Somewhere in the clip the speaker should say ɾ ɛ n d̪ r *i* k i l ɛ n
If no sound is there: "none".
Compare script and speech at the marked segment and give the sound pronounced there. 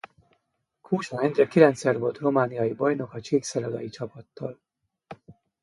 ɛ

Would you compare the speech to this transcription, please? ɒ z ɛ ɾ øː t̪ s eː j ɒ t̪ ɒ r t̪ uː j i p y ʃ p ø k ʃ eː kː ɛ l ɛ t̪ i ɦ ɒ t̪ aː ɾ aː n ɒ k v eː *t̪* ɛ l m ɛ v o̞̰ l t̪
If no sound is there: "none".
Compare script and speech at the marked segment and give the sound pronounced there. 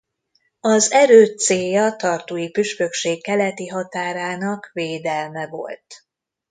d̪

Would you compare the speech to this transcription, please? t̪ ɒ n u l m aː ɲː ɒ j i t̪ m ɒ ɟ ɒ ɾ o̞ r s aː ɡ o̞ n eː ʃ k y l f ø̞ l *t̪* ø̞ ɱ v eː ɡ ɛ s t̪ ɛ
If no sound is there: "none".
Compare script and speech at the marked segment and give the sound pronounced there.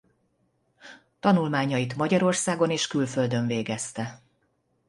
d̪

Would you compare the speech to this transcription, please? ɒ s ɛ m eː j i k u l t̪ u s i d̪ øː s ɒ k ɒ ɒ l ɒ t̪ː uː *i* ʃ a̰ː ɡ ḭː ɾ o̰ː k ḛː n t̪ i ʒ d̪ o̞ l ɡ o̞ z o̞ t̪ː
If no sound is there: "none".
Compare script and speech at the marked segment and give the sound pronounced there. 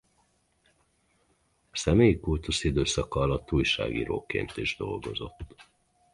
j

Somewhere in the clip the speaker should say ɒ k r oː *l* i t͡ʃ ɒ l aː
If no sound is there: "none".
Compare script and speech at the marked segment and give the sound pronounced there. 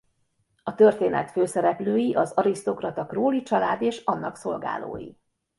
l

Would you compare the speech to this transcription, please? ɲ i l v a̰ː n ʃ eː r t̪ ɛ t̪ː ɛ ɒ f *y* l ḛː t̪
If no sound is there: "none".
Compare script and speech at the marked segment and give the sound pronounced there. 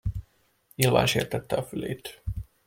y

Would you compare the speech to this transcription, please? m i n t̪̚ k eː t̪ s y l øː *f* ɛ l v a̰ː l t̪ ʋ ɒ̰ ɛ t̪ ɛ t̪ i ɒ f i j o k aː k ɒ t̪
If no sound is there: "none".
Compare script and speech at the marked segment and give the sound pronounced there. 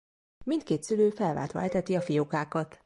f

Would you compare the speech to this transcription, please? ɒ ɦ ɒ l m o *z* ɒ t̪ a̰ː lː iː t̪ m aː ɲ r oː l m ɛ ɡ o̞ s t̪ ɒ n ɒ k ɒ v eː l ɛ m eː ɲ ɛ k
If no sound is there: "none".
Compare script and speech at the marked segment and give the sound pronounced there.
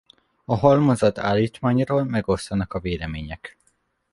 z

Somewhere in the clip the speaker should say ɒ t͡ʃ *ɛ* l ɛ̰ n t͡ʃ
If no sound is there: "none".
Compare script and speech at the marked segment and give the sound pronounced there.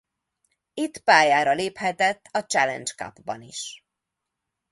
ɛ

